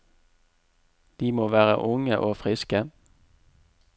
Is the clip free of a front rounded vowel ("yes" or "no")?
yes